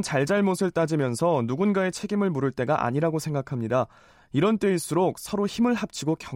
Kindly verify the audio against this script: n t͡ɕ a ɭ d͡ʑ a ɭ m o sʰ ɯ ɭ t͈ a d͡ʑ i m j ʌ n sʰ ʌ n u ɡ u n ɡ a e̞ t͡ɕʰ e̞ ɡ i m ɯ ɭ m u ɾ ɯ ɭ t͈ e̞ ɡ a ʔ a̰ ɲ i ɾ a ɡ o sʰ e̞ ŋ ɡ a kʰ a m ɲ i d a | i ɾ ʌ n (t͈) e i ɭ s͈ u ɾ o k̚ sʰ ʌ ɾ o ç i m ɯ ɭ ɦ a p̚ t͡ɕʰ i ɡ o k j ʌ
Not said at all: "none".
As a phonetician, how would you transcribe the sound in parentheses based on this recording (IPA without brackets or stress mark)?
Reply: t͈